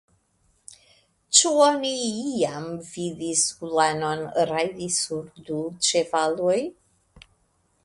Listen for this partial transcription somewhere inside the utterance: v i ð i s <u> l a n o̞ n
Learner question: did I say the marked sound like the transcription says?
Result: yes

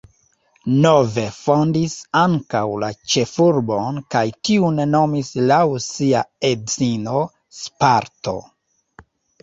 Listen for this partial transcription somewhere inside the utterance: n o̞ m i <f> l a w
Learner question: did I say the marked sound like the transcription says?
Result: no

